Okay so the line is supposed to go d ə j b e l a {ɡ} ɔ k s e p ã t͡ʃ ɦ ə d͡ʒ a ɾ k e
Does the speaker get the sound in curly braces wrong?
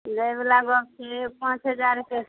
no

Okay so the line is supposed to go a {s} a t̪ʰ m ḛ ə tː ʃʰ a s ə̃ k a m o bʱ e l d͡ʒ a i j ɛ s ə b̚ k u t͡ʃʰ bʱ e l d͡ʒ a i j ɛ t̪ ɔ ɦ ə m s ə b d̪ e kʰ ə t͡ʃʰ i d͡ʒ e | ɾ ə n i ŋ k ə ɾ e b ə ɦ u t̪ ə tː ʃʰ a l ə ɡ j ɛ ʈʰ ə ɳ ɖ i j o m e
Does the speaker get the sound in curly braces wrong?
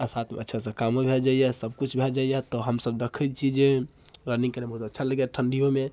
no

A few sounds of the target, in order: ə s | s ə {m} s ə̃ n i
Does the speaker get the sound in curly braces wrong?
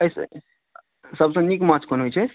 yes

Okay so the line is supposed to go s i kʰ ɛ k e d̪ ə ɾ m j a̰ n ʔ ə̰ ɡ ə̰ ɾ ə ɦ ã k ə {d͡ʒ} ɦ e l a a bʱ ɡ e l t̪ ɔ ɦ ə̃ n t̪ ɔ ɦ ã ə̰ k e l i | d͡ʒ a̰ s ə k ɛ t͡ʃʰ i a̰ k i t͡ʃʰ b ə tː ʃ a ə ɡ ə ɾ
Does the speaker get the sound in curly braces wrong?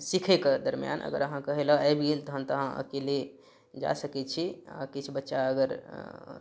yes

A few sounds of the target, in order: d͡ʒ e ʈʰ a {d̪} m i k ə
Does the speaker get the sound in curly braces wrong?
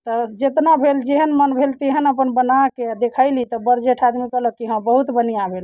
no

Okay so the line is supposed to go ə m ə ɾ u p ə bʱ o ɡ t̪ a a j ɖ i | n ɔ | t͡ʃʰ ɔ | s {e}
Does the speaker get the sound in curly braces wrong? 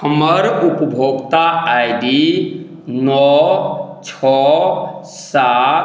yes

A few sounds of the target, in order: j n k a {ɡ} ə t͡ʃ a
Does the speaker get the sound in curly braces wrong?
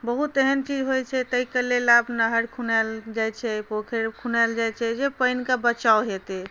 yes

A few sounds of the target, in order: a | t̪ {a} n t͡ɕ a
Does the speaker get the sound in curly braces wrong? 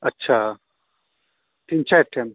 yes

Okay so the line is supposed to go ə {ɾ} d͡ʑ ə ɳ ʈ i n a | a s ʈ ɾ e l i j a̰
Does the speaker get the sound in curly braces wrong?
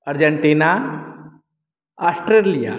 no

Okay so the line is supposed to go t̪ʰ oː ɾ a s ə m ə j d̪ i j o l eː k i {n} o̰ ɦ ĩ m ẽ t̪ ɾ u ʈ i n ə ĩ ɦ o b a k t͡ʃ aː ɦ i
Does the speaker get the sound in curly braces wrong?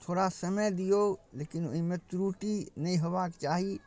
no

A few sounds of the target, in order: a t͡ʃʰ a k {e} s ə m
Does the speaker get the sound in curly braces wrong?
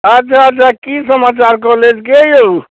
yes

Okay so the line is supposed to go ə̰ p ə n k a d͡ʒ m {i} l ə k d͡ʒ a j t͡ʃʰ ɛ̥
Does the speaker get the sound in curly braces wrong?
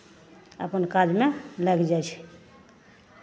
yes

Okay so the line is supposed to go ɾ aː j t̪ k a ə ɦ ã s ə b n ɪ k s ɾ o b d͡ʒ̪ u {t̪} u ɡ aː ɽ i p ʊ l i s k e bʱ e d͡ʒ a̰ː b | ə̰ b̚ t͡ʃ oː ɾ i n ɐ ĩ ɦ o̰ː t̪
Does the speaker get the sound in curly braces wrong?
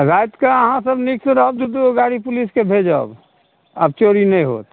yes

